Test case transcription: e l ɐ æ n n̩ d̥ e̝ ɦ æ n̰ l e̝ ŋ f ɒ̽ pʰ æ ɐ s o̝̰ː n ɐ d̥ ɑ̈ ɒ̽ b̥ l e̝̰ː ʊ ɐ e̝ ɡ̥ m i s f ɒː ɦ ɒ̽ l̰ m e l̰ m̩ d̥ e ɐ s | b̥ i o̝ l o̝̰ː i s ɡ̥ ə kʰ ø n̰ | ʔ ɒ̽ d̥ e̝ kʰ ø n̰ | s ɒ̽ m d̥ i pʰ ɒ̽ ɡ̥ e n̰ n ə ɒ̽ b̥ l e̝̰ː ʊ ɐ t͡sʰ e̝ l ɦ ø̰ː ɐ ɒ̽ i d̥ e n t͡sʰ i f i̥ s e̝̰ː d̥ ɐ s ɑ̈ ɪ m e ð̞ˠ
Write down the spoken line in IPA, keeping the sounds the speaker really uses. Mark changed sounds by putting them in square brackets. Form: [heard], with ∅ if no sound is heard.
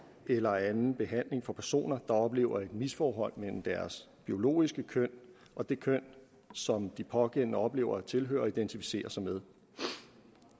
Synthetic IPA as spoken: e l ɐ æ n n̩ [b̥] e̝ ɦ æ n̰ l e̝ ŋ f ɒ̽ pʰ æ ɐ s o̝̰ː n ɐ d̥ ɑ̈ ɒ̽ b̥ l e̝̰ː ʊ ɐ e̝ [d̥] m i s f ɒː ɦ ɒ̽ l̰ m e l̰ m̩ d̥ [æ] ɐ s | b̥ i o̝ l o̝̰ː i s ɡ̥ ə kʰ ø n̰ | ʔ ɒ̽ d̥ e̝ kʰ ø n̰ | s ɒ̽ m d̥ i pʰ ɒ̽ ɡ̥ e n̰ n ə ɒ̽ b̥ l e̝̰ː ʊ ɐ t͡sʰ e̝ l ɦ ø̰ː ɐ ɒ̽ i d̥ e n t͡sʰ i f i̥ s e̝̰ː [∅] ɐ s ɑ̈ ɪ m e ð̞ˠ